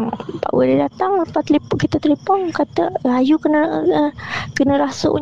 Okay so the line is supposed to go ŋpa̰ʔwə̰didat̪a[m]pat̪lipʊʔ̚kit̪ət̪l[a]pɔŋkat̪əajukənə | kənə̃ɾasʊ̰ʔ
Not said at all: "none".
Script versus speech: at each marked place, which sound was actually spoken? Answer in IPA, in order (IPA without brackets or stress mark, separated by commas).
ŋ, i